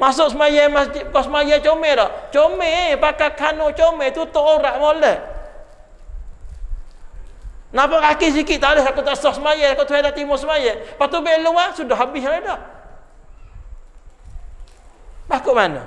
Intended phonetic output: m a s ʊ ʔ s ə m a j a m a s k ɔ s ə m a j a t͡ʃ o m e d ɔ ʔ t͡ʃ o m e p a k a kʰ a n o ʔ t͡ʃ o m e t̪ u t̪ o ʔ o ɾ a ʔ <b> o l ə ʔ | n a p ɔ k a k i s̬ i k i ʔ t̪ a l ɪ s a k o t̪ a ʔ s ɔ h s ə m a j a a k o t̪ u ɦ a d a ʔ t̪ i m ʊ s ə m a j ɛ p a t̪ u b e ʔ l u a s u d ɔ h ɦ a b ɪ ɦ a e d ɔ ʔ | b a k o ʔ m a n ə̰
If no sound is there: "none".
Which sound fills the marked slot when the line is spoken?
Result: m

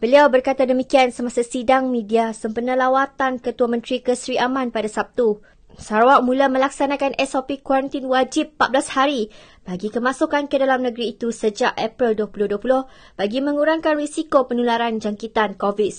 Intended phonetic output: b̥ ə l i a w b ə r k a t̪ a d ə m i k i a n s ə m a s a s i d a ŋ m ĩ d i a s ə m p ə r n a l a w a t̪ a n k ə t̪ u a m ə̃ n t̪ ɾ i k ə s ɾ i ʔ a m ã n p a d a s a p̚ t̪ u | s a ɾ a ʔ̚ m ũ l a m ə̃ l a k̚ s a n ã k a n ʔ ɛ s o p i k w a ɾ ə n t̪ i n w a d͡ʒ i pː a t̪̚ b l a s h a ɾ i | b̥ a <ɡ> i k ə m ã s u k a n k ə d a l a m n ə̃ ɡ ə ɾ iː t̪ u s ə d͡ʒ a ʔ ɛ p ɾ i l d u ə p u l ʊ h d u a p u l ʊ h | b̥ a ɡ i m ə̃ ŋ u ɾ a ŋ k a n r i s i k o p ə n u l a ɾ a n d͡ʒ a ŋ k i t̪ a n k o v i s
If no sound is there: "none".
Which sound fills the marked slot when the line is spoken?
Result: ɡ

